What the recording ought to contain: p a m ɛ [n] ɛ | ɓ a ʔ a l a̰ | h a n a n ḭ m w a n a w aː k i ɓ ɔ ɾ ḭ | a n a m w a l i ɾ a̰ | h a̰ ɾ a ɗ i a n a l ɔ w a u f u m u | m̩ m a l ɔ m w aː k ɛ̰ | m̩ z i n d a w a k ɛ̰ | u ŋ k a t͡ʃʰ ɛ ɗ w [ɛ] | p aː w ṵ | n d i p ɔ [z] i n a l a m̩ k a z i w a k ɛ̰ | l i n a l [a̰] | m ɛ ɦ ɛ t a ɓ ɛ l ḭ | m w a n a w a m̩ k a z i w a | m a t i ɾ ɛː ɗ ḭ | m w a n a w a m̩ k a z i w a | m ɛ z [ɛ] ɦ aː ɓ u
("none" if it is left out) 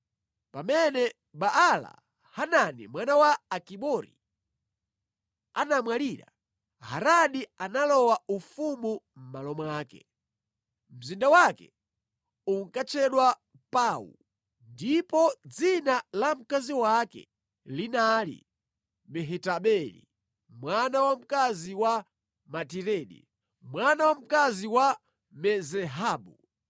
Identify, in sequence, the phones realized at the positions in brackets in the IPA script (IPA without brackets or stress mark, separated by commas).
n, a, d͡z, ḭ, ɛ